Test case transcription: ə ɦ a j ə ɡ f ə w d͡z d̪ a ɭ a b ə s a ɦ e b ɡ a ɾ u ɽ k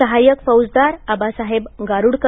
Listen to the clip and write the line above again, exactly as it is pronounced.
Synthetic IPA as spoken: ə ɦ a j ə k f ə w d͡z d̪ a ɾ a b a s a ɦ e b ɡ a ɾ u ɽ k